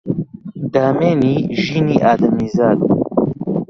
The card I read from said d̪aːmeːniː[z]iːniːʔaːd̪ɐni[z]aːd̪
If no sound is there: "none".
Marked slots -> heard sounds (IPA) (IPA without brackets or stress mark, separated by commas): ʒ, z